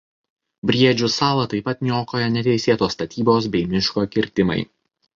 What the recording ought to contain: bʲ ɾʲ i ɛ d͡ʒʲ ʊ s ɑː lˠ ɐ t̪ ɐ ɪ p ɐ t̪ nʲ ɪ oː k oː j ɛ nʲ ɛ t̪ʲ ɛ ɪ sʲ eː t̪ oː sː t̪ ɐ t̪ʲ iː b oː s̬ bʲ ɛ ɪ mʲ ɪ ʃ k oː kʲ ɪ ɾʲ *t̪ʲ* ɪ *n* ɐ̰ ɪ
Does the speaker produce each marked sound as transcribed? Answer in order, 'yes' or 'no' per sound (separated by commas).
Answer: yes, no